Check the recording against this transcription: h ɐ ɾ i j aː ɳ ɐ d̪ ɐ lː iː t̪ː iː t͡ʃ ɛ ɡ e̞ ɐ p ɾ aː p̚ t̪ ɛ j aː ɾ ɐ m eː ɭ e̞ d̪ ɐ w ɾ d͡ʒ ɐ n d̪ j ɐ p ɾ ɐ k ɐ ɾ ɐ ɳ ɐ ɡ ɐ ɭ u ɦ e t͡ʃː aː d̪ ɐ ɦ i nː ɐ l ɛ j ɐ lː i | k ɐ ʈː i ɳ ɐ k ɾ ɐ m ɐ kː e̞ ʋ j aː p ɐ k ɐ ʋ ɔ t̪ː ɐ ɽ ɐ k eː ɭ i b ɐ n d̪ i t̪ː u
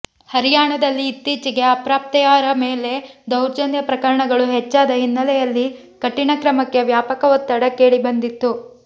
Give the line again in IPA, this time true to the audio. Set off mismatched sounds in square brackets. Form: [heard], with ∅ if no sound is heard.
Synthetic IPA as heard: h ɐ ɾ i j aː ɳ ɐ d̪ ɐ lː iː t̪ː iː t͡ʃ [i] ɡ e̞ ɐ p ɾ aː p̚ t̪ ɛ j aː ɾ ɐ m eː [l] e̞ d̪ ɐ w ɾ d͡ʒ ɐ n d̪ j ɐ p ɾ ɐ k ɐ ɾ ɐ ɳ ɐ ɡ ɐ ɭ u ɦ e t͡ʃː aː d̪ ɐ ɦ i nː ɐ l ɛ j ɐ lː i | k ɐ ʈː i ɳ ɐ k ɾ ɐ m ɐ kː e̞ ʋ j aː p ɐ k ɐ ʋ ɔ t̪ː ɐ ɽ ɐ k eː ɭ i b ɐ n d̪ i t̪ː u